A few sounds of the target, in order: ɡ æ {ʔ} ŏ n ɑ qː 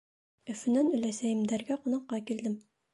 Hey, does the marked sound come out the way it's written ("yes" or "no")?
no